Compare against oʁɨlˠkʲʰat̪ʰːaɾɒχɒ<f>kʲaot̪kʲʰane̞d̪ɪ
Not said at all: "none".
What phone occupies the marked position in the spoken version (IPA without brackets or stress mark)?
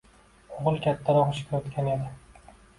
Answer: ʃ